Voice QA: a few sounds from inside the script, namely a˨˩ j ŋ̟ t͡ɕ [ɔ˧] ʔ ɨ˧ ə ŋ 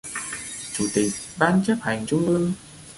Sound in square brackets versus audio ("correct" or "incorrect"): incorrect